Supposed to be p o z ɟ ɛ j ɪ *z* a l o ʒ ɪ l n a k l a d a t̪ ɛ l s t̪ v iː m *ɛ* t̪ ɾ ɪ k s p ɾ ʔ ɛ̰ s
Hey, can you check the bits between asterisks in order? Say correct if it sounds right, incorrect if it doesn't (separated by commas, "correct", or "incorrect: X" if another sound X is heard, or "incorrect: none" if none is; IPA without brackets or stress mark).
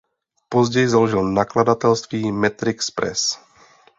correct, correct